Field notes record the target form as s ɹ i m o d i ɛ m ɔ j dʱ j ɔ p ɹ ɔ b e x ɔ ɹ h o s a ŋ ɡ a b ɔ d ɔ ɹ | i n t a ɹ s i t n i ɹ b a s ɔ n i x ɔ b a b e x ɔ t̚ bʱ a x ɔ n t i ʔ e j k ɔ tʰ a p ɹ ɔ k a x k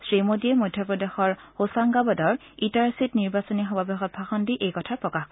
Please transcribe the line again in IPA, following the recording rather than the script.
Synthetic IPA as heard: s ɹ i m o d i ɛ m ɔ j dʱ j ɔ p ɹ ɔ d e x ɔ ɹ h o s a ŋ ɡ a b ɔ d ɔ ɹ | i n t a ɹ s i t n i ɹ b a s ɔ n i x ɔ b a b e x ɔ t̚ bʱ a x ɔ n d i ʔ e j k ɔ tʰ a p ɹ ɔ k a x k